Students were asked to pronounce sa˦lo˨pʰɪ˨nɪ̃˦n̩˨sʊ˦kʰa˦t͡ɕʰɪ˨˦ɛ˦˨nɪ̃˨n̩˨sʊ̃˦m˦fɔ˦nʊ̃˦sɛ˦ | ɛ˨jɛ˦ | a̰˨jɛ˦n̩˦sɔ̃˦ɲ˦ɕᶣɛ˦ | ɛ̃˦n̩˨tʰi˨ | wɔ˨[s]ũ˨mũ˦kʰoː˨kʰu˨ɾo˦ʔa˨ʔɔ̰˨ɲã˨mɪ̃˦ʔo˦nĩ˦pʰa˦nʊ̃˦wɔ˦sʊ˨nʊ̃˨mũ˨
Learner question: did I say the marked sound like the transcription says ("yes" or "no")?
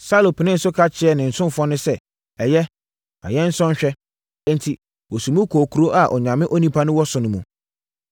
yes